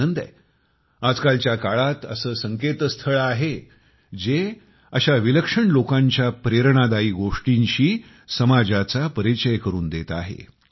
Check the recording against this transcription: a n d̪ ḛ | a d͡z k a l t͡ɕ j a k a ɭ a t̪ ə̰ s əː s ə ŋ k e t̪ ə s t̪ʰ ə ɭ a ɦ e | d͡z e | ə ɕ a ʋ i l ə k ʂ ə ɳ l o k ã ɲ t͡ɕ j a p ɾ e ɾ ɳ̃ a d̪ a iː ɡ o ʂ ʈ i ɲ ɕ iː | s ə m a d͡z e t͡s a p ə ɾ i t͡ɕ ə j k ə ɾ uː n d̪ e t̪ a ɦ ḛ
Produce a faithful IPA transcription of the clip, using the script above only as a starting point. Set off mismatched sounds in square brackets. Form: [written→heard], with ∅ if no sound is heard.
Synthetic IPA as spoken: [a→ə] n d̪ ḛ | a d͡z k a l t͡ɕ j a k a ɭ a t̪ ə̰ s əː s ə ŋ k e t̪ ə s t̪ʰ ə ɭ a ɦ e | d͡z e | ə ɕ a ʋ i l ə k ʂ ə ɳ l o k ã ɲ t͡ɕ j a p ɾ e ɾ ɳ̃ a d̪ a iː ɡ o ʂ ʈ i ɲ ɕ iː | s ə m a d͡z [e→a] t͡s a p ə ɾ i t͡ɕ ə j k ə ɾ uː n d̪ e t̪ a ɦ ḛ